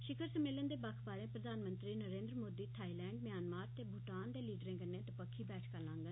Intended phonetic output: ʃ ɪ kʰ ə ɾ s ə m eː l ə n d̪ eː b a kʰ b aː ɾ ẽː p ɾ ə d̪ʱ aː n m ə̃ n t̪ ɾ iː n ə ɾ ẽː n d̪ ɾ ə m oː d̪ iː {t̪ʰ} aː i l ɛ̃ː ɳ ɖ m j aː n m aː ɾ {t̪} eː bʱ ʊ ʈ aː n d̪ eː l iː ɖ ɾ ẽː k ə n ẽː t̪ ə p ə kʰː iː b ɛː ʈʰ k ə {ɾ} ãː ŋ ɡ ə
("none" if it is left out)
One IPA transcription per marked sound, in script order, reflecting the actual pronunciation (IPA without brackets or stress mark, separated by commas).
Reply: t̪ʰ, t̪, l